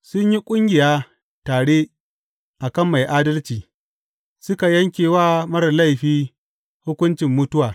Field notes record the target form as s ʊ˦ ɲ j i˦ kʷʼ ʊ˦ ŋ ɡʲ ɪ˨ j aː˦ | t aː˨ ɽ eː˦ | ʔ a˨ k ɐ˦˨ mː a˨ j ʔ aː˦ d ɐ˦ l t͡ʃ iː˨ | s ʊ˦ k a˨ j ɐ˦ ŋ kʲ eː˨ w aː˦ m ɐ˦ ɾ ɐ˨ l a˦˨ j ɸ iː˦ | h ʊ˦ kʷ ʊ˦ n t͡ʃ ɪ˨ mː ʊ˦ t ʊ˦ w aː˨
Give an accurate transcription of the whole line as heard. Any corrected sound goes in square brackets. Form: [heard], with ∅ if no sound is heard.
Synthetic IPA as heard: s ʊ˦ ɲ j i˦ kʷʼ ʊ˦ ŋ ɡʲ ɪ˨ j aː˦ | t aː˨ ɽ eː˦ | ʔ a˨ k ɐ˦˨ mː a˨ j ʔ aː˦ d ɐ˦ l t͡ʃ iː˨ | s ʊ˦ k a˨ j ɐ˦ ŋ kʲ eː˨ w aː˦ m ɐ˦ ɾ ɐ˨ l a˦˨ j ɸ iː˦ | h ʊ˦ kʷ ʊ˦ n t͡ʃ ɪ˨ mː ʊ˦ t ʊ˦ w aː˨